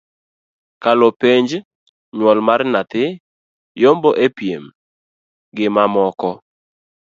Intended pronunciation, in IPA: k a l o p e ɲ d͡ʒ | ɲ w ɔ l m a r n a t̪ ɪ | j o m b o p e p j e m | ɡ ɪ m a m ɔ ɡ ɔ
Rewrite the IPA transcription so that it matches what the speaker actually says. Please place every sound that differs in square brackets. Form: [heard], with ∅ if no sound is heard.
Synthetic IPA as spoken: k a l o p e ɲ d͡ʒ | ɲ w ɔ l m a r n a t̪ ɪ | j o m b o [ʔ] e p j e m | ɡ ɪ m a m ɔ [k] ɔ